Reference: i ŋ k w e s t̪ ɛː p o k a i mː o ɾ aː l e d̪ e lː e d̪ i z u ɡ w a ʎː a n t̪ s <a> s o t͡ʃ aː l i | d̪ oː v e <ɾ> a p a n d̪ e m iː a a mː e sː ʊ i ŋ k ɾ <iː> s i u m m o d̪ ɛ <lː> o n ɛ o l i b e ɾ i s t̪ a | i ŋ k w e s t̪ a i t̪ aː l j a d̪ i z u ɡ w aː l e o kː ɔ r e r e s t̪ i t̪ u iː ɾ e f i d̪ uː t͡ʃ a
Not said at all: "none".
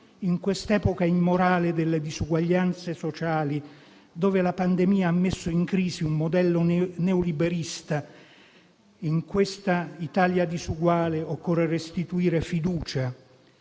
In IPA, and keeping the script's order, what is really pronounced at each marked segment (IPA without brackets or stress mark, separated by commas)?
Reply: e, l, iː, lː